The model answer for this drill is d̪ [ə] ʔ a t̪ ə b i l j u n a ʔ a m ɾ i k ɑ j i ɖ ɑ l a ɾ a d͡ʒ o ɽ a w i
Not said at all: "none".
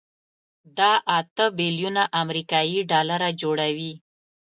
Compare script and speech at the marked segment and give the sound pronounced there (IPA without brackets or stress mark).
ɑ